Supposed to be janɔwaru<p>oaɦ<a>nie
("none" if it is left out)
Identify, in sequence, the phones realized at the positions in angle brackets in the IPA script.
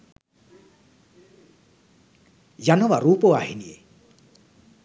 p, i

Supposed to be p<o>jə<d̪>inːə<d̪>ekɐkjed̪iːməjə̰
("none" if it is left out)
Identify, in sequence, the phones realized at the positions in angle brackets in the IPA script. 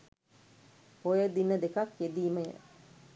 o, d̪, d̪

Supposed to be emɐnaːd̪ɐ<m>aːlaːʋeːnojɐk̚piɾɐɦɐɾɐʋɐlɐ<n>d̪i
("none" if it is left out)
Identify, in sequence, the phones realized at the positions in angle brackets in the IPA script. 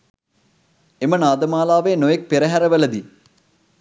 m, none

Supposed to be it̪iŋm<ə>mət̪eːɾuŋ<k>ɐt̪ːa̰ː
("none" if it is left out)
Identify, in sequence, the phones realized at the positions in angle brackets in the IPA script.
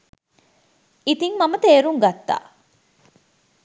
ɐ, ɡ

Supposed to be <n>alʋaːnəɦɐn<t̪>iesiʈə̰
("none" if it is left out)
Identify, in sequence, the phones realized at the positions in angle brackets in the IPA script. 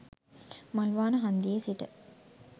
m, d̪

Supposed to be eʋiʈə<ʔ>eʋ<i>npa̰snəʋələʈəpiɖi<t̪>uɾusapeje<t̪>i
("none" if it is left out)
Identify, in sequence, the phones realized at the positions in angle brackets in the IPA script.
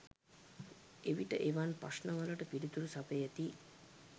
ʔ, a, t̪, t̪

